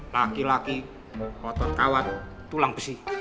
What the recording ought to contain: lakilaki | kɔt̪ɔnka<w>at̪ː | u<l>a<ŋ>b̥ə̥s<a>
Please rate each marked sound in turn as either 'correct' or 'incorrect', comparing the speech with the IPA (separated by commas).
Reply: correct, correct, correct, incorrect